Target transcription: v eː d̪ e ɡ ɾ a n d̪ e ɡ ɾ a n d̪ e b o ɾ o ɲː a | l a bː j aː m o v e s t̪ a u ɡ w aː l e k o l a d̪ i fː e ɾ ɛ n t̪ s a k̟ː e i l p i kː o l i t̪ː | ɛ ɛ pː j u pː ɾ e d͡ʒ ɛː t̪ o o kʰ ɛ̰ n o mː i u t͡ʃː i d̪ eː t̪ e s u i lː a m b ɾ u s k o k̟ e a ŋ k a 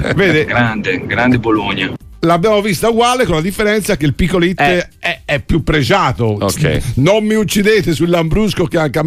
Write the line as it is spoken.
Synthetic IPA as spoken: v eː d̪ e ɡ ɾ a n d̪ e ɡ ɾ a n d̪ e b o l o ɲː a | l a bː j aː m o v i s t̪ a u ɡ w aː l e k o l a d̪ i fː e ɾ ɛ n t̪ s a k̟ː e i l p i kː o l i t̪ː | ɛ ɛ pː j u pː ɾ e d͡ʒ aː t̪ o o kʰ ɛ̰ n o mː i u t͡ʃː i d̪ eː t̪ e s u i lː a m b ɾ u s k o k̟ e a ŋ k a